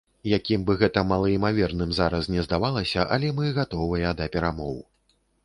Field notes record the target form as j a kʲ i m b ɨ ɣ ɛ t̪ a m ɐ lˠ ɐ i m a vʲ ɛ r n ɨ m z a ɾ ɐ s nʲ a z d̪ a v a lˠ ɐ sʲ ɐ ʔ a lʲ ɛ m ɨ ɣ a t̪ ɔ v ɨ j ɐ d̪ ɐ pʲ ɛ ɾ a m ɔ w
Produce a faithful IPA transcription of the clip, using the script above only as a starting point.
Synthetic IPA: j a kʲ i m b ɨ ɣ ɛ t̪ ɐ m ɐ lˠ ɐ i m a vʲ ɛ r n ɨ m z a ɾ ɐ s nʲ ɛ z d̪ a v a lˠ ɐ sʲ ɐ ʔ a lʲ ɛ m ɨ ɣ a t̪ ɔ v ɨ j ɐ d̪ ɐ pʲ ɛ ɾ a m ɔ w